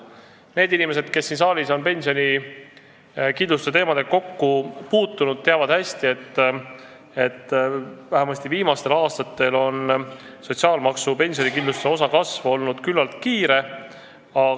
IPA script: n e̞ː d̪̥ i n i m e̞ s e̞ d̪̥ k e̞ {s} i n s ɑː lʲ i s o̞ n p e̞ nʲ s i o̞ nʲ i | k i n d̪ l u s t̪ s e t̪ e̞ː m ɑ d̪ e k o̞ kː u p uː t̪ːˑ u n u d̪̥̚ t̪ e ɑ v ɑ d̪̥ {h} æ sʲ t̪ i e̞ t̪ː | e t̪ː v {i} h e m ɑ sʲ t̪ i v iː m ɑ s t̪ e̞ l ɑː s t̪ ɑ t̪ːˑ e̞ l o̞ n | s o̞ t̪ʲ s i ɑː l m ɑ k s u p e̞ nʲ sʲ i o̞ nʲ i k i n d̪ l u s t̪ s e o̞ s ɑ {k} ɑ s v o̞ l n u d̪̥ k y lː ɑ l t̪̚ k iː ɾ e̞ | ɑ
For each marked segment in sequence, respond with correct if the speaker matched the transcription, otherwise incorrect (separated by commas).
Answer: incorrect, correct, incorrect, correct